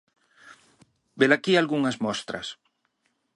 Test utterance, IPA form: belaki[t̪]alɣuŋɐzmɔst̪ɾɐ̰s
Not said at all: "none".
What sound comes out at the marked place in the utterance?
none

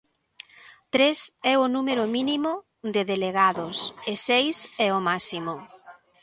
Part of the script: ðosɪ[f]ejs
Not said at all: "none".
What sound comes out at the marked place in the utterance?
s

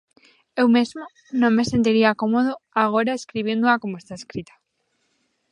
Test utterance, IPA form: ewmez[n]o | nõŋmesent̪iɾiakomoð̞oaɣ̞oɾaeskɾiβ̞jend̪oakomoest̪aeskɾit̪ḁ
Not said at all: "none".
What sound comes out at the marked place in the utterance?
m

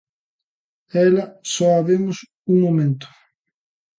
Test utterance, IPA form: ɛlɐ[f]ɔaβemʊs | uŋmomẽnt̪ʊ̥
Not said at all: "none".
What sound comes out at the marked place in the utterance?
s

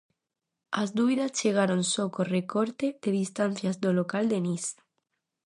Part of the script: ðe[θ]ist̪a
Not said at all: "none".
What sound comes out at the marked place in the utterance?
ð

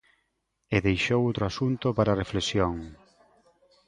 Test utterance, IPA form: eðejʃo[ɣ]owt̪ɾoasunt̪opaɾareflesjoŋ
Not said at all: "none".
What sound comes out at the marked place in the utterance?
w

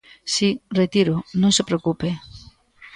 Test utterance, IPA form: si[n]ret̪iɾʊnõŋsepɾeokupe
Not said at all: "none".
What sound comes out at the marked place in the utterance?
none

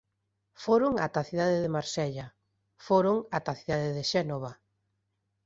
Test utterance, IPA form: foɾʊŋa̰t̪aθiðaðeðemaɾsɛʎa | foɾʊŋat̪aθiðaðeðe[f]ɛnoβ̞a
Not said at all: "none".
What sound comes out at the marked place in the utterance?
ʃ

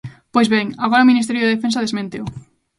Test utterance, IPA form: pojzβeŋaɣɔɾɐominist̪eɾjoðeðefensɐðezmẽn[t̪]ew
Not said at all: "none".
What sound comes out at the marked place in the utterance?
t̪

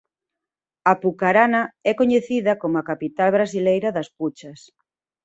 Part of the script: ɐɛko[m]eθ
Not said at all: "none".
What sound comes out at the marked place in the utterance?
ɲ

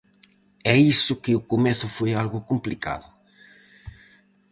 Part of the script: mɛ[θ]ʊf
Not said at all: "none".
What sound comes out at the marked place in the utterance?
θ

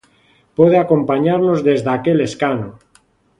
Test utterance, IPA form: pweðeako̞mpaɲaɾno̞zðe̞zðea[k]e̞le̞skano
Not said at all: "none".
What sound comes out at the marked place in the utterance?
k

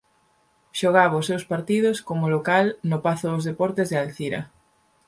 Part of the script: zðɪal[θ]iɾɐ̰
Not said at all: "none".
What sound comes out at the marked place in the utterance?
θ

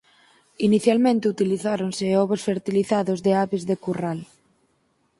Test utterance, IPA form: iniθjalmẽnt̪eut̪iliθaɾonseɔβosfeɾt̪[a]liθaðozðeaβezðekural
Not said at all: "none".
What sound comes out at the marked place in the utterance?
i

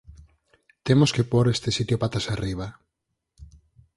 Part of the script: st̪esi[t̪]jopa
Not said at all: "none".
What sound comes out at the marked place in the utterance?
t̪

